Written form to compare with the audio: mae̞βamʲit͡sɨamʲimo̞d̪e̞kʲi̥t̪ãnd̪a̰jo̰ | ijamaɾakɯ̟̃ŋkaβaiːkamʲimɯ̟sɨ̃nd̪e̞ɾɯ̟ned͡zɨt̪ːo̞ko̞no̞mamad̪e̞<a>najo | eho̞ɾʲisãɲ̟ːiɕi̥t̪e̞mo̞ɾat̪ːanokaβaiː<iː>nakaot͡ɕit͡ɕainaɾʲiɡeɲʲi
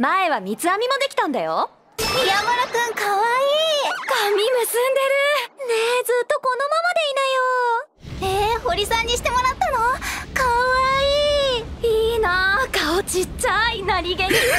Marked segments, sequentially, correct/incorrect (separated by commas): incorrect, correct